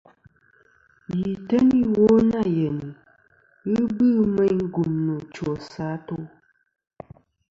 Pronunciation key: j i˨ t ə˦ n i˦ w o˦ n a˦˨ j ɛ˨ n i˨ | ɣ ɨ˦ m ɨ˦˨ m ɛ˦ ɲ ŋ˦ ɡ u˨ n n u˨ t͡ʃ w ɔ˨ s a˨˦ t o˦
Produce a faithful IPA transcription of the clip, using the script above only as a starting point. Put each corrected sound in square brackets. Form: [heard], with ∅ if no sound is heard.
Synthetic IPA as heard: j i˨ t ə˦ n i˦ w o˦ n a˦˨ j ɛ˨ n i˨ | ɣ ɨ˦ [b] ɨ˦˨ m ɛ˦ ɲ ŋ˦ ɡ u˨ [m] n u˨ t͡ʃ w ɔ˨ s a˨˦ t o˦